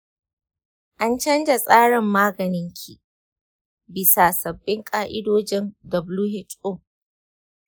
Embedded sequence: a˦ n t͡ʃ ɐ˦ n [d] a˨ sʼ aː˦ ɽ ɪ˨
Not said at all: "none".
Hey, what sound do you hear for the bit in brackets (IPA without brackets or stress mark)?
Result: d͡ʒ